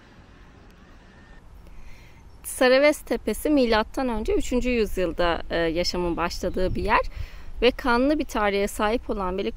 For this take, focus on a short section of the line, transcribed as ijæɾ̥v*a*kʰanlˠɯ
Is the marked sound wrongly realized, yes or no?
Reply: yes